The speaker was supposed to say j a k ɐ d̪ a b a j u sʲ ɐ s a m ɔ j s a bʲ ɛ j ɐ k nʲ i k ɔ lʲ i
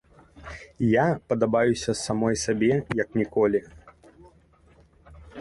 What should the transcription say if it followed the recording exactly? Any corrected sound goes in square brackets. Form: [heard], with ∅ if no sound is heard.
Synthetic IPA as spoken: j a [p] ɐ d̪ a b a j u sʲ ɐ s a m ɔ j s a bʲ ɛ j ɐ k nʲ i k ɔ lʲ i